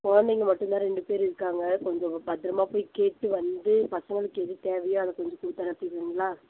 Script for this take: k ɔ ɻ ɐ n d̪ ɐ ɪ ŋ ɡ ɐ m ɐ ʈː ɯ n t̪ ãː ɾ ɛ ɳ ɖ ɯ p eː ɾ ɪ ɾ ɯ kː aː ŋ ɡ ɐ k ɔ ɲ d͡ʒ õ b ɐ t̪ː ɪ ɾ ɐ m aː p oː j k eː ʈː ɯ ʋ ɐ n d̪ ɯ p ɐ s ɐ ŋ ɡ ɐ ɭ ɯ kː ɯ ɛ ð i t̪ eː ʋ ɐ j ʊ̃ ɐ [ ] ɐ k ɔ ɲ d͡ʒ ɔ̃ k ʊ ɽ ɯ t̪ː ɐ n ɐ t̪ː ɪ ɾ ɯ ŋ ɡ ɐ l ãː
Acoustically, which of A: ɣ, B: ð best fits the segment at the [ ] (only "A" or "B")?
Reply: B